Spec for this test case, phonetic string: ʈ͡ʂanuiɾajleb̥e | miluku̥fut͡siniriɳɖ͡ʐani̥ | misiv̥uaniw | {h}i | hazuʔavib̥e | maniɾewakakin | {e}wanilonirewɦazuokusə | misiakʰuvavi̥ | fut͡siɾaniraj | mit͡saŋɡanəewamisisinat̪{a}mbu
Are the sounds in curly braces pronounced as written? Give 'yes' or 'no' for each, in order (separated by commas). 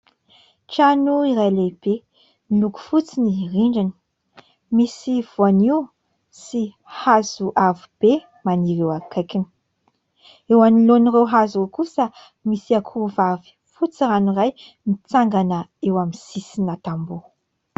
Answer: no, yes, yes